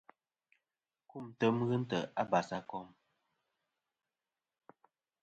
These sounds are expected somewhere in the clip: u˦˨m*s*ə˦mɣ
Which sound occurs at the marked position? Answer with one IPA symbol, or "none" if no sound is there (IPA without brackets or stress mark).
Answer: t